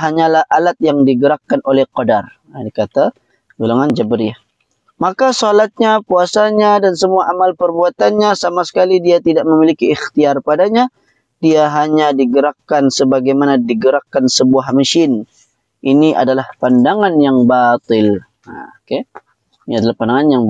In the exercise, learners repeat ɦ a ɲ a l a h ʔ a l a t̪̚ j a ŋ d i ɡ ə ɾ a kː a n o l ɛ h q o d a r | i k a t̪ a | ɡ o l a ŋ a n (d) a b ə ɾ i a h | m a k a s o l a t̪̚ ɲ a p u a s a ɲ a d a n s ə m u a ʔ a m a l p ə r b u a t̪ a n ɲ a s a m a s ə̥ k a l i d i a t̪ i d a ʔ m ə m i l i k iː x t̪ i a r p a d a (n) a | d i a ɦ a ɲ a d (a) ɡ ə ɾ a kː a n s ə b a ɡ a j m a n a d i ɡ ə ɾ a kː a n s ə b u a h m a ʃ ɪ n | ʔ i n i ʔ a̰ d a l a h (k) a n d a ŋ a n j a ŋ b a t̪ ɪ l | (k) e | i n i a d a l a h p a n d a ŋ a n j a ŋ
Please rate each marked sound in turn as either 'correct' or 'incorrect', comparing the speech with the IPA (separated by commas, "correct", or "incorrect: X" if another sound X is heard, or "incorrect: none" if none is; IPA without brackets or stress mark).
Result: incorrect: d͡ʒ, incorrect: ɲ, incorrect: i, incorrect: p, correct